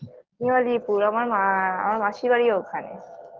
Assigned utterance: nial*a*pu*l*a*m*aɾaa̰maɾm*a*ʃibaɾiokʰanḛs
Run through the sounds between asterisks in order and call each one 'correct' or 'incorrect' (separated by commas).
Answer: incorrect, incorrect, correct, correct